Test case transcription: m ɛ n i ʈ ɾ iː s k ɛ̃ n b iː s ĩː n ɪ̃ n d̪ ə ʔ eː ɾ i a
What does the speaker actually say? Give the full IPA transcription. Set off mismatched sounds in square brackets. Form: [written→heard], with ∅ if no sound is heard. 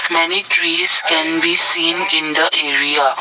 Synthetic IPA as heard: m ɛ n i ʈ ɾ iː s k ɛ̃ n b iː s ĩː n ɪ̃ n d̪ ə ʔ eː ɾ i a